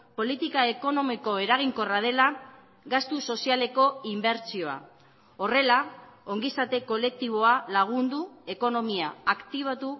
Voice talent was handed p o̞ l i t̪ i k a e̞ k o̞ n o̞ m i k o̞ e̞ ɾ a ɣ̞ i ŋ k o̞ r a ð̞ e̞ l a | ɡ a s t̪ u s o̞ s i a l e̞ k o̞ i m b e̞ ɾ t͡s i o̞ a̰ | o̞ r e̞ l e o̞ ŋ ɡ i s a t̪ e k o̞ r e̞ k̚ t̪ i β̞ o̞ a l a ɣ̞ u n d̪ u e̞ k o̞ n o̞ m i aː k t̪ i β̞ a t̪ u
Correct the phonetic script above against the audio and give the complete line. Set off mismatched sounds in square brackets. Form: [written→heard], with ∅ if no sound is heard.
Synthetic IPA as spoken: p o̞ l i t̪ i k a e̞ k o̞ n o̞ m i k o̞ e̞ ɾ a ɣ̞ i ŋ k o̞ r a ð̞ e̞ l a | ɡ a s t̪ u s o̞ s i a l e̞ k o̞ i m b e̞ ɾ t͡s i o̞ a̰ | o̞ r e̞ l [e→a] o̞ ŋ ɡ i s a t̪ e k o̞ [r→l] e̞ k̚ t̪ i β̞ o̞ a l a ɣ̞ u n d̪ u e̞ k o̞ n o̞ m i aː k t̪ i β̞ a t̪ u